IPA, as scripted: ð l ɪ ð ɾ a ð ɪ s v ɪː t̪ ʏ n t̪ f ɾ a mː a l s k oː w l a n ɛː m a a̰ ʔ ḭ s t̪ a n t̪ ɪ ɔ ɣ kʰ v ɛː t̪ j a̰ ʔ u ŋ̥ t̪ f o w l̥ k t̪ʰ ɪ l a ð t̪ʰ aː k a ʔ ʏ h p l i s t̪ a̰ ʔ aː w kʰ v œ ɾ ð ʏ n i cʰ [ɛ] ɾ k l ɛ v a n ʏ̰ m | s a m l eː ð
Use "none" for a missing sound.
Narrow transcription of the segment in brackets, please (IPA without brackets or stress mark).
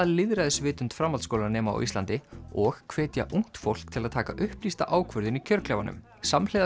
œ